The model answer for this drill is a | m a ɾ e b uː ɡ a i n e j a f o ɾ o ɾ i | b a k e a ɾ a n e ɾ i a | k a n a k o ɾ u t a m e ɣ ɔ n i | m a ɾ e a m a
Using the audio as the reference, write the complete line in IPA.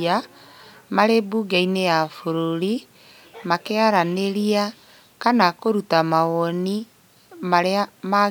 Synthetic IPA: a | m a ɾ e b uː ɡ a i n e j a f o ɾ o ɾ i | m a k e a ɾ a n e ɾ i a | k a n a k o ɾ u t a m a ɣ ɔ n i | m a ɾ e a m a

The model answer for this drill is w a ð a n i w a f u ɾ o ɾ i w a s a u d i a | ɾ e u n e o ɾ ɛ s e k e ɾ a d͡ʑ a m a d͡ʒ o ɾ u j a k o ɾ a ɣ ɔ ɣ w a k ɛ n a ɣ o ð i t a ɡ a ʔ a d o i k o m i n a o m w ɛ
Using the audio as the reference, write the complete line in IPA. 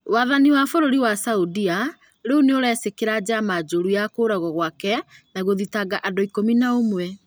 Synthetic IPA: w a ð a n i w a f o ɾ o ɾ i w a s a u d i a | ɾ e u n e o ɾ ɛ s e k e ɾ a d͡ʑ a m a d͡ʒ o ɾ u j a k o ɾ a ɣ ɔ ɣ w a k ɛ n a ɣ o ð i t a ɡ a ʔ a d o i k o m i n a o m w ɛ

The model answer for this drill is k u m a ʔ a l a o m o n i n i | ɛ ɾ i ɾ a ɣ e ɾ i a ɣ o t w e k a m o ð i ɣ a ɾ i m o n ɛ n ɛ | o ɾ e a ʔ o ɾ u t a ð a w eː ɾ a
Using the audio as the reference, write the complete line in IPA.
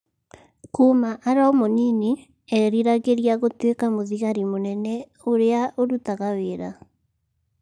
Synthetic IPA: k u m a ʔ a ɾ a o m o n i n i | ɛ ɾ i ɾ a ɣ e ɾ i a ɣ o t w e k a m o ð i ɣ a ɾ i m o n ɛ n ɛ | o ɾ e a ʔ o ɾ u t a ɣ a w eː ɾ a

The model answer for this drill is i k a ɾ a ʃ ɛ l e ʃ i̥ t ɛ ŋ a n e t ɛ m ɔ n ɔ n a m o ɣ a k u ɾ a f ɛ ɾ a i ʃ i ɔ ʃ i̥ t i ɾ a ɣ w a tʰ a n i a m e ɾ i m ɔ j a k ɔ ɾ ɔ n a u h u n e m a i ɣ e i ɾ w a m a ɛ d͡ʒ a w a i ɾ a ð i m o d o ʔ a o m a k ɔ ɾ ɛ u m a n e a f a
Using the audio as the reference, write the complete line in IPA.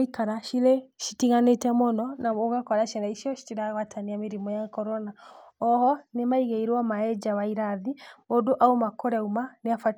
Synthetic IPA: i k a ɾ a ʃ i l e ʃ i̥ t i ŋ a n e t ɛ m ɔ n ɔ n a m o ɣ a k ɔ ɾ a ʃ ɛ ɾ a i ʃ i ɔ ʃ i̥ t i ɾ a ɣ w a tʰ a n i a m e ɾ i m ɔ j a k ɔ ɾ ɔ n a ɔ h ɔ n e m a i ɣ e i ɾ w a m a ɛ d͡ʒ a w a i ɾ a ð i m o d o ʔ a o m a k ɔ ɾ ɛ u m a n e a f a

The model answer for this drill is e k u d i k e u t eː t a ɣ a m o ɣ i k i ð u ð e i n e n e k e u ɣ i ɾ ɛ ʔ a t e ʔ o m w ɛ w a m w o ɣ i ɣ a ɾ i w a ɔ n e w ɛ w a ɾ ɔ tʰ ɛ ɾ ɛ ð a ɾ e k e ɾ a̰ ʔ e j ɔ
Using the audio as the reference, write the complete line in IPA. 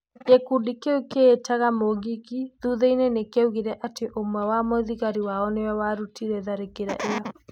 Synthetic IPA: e k u d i k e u k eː t a ɣ a m o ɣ i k i ð u ð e i n e n e k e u ɣ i ɾ ɛ ʔ a t e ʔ o m w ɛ w a m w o ð i ɣ a ɾ i w a ɔ n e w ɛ w a ɾ u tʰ i ɾ ɛ ð a ɾ e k e ɾ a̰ ʔ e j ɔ

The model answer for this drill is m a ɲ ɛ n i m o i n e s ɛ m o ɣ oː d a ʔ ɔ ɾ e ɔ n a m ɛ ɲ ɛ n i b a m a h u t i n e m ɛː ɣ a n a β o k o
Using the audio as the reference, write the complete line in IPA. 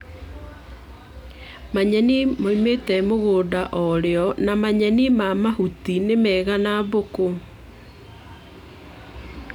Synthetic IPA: m a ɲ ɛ n i m o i m e t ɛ m o ɣ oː d a ʔ ɔ ɾ e ɔ n a m a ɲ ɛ n i m a m a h u t i n e m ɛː ɣ a n a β o k o

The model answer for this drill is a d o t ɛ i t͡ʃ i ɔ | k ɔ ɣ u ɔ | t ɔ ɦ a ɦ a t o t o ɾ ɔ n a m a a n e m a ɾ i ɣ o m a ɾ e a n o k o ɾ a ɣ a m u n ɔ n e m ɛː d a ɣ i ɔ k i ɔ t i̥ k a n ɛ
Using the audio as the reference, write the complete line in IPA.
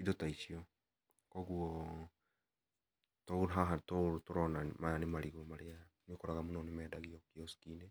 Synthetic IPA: i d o t a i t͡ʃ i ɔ | k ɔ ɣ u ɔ | t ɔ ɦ a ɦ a t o t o ɾ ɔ n a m a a n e m a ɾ i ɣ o m a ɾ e a n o k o ɾ a ɣ a m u n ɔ n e m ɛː d a ɣ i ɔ k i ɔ s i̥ k i n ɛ

